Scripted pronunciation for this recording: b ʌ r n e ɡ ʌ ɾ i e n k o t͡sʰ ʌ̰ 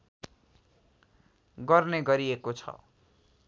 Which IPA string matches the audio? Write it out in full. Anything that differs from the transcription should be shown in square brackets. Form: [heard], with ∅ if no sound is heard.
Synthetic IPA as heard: [ɡ] ʌ r n e ɡ ʌ ɾ i e [∅] k o t͡sʰ ʌ̰

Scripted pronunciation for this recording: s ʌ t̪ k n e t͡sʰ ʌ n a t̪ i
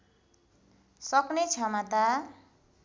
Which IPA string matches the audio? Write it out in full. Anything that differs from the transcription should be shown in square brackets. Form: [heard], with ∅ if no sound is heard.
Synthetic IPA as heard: s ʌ [∅] k n e t͡sʰ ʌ [m] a t̪ [a]

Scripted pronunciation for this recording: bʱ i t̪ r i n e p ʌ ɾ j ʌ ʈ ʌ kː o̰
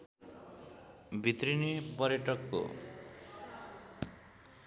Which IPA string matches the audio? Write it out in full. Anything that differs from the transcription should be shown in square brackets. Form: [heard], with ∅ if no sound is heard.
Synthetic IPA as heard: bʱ i t̪ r i n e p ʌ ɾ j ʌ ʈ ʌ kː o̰

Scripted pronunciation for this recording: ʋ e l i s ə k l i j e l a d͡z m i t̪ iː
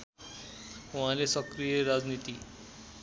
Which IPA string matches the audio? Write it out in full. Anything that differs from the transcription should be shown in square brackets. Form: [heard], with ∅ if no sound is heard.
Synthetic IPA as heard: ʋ [a] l [e] s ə k [ɾ] i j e [ɾ] a d͡z [n] i t̪ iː

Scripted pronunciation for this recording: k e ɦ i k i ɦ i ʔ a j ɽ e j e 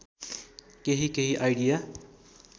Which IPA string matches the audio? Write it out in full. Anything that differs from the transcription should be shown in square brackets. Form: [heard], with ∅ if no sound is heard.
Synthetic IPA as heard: k e ɦ i k [e] ɦ i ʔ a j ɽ [i] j [a]

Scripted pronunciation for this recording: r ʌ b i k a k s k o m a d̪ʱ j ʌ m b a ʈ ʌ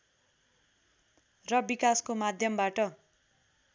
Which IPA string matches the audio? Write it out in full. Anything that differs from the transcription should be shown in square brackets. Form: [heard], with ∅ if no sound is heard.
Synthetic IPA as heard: r ʌ b i k a [∅] s k o m a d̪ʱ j ʌ m b a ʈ ʌ

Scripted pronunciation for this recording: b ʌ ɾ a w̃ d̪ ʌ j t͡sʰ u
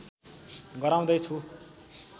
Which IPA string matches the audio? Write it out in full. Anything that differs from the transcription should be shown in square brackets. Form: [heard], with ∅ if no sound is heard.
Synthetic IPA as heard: [ɡ] ʌ ɾ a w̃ d̪ ʌ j t͡sʰ u

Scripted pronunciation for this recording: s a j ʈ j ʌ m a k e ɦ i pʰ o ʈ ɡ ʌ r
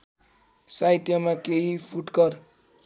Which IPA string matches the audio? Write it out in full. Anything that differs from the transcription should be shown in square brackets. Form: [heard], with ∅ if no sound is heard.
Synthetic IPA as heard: s a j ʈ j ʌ m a k e ɦ i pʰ [u] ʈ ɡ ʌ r

